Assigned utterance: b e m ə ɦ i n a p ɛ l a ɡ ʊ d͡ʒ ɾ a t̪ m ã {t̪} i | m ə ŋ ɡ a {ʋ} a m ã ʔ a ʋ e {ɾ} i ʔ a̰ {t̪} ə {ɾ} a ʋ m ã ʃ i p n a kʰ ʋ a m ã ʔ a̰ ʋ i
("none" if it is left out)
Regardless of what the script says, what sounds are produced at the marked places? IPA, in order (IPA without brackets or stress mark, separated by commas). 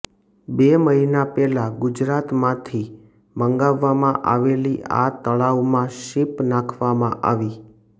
t̪ʰ, ʋː, l, t̪, ɭ